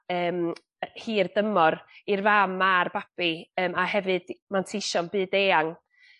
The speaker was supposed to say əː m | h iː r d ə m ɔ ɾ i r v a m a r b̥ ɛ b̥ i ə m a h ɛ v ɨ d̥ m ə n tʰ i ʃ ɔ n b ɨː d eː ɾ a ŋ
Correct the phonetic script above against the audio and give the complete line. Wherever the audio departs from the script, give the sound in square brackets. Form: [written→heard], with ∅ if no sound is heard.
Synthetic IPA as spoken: əː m | h iː r d ə m ɔ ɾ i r v a m a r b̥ [ɛ→a] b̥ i [ə→əː] m a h ɛ v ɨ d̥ m [ə→a] n tʰ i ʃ ɔ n b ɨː d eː [ɾ→∅] a ŋ